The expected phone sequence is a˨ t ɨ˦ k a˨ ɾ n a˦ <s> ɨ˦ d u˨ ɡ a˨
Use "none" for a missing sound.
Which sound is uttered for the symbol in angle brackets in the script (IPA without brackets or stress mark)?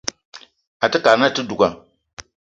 t